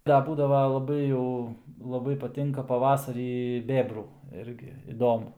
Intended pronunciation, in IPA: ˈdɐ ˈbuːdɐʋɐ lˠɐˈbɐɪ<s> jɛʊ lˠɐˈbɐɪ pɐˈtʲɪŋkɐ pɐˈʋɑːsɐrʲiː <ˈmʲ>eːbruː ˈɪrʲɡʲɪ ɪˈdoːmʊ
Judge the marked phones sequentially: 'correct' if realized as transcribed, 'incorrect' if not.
incorrect, incorrect

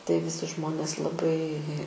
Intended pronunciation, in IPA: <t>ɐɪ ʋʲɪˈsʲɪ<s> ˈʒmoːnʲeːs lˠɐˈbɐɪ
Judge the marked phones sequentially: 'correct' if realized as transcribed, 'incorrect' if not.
correct, incorrect

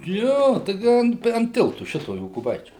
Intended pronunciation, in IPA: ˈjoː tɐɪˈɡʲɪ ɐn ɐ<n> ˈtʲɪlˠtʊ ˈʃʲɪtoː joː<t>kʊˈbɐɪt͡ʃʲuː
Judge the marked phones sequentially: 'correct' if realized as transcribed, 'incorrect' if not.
correct, incorrect

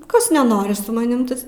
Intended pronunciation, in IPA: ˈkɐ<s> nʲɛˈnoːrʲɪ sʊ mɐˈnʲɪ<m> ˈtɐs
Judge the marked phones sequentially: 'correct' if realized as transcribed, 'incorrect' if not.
correct, correct

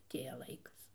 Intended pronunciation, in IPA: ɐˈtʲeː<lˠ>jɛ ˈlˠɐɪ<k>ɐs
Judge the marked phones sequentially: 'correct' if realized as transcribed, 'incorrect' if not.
incorrect, correct

